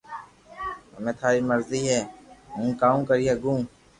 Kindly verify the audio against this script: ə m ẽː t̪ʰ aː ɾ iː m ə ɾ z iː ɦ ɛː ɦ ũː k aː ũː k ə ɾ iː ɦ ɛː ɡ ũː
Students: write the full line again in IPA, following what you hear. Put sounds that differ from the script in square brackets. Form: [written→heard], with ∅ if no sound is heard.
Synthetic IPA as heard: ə m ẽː t̪ʰ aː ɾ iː m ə ɾ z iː ɦ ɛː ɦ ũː k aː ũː k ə ɾ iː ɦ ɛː ɡ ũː